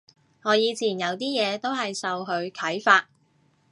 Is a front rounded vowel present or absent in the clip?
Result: absent